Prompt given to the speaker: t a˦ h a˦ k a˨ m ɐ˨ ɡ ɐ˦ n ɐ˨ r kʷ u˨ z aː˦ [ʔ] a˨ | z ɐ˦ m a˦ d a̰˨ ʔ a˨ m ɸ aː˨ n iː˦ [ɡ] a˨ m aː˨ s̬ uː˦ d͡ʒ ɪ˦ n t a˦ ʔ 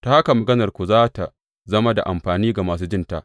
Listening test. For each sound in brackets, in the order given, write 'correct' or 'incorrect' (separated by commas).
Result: incorrect, correct